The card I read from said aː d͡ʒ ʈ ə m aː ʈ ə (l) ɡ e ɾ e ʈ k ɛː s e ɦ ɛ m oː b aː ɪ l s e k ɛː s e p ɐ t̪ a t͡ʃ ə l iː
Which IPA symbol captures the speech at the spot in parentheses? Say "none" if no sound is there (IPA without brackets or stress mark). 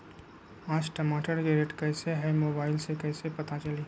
ɾ